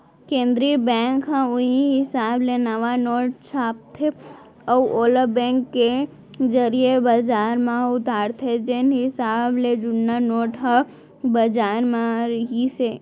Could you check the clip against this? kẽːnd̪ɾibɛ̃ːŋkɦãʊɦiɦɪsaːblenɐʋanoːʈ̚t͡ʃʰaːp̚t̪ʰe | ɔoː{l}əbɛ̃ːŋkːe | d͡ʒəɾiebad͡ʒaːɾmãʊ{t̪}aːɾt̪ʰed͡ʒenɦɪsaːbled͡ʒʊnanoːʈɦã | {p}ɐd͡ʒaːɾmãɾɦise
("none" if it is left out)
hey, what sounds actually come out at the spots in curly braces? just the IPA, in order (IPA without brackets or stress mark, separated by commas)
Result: l, t̪, b